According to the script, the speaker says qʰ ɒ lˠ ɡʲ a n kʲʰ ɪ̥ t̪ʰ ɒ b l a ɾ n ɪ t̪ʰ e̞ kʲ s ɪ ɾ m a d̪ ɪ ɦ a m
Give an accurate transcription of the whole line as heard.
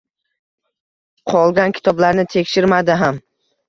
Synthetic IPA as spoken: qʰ ɒ lˠ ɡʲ a n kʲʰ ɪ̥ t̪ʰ ɒ b l a ɾ n ɪ t̪ʰ e̞ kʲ ʃ ɪ ɾ m a d̪ ɪ ɦ a m

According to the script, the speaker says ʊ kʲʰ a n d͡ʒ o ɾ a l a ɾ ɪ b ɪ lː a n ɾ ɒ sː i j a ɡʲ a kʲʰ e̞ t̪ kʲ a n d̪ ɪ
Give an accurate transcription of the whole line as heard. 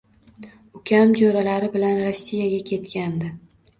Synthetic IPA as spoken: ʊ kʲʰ a m d͡ʒ o ɾ a l a ɾ ɪ b ɪ l a n ɾ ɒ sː i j a ɡʲ a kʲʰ e̞ t̪ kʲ a n d̪ ɪ

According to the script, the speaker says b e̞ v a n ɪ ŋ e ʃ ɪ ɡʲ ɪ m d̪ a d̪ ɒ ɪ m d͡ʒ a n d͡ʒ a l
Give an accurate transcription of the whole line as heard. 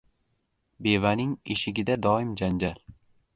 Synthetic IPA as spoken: b e̞ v a n ɪ ŋ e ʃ ɪ ɡʲ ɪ d̪ a d̪ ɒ ɪ m d͡ʒ a n d͡ʒ a l

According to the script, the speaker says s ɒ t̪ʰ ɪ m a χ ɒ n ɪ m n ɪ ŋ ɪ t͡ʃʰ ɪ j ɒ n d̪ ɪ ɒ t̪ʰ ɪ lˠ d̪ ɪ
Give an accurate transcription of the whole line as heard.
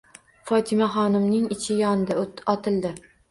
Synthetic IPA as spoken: f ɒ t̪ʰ ɪ m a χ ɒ n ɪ m n ɪ ŋ ɪ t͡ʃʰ ɪ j ɒ n d̪ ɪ ɒ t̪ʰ ɪ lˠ d̪ ɪ

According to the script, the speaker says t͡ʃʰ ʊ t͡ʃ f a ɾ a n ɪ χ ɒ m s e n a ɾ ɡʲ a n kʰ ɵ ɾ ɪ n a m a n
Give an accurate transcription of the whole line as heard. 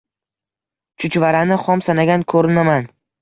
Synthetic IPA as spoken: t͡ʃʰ ʊ t͡ʃ v a ɾ a n ɪ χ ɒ m s a n a ɡʲ a n kʰ ɵ ɾ ɪ n a m a n

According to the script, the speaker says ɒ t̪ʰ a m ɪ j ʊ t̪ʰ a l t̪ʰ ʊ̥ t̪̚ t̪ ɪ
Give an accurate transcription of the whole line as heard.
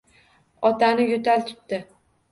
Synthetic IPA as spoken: ɒ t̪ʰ a n ɪ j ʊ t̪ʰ a l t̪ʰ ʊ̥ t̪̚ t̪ ɪ

